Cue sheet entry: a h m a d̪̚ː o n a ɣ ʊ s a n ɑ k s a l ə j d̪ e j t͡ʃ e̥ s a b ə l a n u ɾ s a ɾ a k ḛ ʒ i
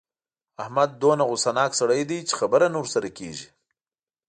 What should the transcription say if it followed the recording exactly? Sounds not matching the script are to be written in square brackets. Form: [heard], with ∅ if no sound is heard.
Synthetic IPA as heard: a h m a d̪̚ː o n a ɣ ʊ s a n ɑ k s a [ɽ] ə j d̪ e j t͡ʃ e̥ [x] a b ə [ɾ] a n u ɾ s a ɾ a k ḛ ʒ i

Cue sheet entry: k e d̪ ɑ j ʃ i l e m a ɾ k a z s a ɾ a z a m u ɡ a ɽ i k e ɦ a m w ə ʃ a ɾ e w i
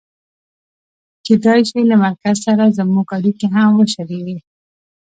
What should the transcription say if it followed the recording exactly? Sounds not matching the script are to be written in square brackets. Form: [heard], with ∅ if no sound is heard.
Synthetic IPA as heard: k e d̪ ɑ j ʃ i l [a] m a ɾ k a z s a ɾ a z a m u ɡ a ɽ i k e ɦ a m w ə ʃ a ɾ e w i

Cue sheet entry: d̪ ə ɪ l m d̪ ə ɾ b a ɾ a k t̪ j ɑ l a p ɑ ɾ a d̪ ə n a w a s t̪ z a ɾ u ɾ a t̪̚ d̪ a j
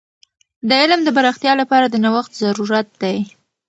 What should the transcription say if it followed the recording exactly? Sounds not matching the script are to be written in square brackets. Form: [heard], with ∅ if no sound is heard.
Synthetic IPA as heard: d̪ ə ɪ l m d̪ ə [∅] b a ɾ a [x] t̪ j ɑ l a p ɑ ɾ a d̪ ə n a w a [x] t̪ z a ɾ u ɾ a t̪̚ d̪ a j

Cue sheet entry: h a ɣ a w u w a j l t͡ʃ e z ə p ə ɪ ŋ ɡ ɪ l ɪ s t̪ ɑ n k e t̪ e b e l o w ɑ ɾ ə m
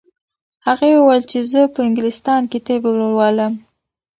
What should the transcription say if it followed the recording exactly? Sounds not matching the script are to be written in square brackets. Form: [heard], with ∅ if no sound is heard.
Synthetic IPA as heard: h a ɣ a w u w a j l t͡ʃ e z ə p ə ɪ ŋ ɡ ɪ l ɪ s t̪ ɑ n k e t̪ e b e l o w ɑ [l] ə m

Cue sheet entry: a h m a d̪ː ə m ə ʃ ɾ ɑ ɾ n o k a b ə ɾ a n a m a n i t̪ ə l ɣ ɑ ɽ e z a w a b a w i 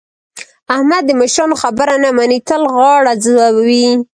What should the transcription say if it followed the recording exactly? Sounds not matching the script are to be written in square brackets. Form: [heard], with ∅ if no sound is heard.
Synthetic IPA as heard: a h m a d̪ː ə m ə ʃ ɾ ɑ [∅] n o [x] a b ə ɾ a n a m a n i t̪ ə l ɣ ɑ ɽ [a] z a w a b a w i

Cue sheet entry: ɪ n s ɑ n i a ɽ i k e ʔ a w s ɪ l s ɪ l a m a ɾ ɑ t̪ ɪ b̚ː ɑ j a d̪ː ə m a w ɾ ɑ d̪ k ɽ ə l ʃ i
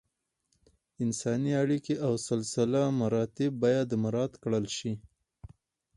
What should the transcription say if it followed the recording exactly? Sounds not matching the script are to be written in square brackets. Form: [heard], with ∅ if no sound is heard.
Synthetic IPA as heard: ɪ n s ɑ n i a ɽ i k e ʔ a w s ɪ l s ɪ l a m a ɾ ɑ t̪ ɪ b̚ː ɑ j a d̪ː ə m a [∅] ɾ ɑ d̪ k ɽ ə l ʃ i

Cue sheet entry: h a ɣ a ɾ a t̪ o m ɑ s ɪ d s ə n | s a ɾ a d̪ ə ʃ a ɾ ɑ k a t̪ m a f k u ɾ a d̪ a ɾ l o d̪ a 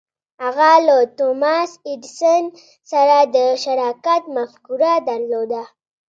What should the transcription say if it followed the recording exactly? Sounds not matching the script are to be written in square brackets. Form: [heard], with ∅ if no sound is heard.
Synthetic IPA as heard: h a ɣ a [l] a t̪ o m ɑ s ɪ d s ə n | s a ɾ a d̪ ə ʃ a ɾ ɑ k a t̪ m a f k u ɾ a d̪ a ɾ l o d̪ a

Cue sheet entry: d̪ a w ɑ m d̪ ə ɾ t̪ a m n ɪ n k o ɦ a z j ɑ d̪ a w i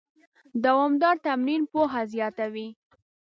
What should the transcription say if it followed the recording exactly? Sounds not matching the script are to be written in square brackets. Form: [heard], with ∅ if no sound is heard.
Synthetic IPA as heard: d̪ a w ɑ m d̪ [ɑ] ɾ t̪ a m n [i] n [p] o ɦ a z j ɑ [t̪] a w i

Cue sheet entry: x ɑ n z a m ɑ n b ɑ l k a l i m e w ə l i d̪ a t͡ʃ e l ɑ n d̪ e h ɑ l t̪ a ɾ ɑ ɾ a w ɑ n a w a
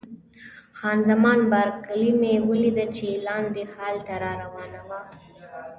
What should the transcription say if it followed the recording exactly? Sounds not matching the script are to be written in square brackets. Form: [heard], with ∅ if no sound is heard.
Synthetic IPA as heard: x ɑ n z a m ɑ n b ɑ [ɾ] k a l i m e w ə l i d̪ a t͡ʃ e l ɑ n d̪ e h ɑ l t̪ a ɾ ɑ ɾ a w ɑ n a w a

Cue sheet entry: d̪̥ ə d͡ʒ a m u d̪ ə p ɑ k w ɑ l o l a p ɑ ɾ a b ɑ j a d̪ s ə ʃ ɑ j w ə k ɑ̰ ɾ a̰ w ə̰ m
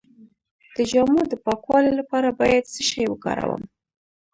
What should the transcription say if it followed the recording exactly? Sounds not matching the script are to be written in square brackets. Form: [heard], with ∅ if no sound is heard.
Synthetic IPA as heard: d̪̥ ə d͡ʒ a m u d̪ ə p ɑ k w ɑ l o l a p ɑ ɾ a b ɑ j a d̪ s ə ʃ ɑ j w ə k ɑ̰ ɾ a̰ w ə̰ m

